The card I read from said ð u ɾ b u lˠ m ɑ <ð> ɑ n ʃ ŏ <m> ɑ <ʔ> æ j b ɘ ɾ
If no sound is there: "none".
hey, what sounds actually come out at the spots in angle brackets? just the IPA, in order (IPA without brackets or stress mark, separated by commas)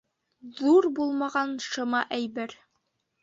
ʁ, m, ʔ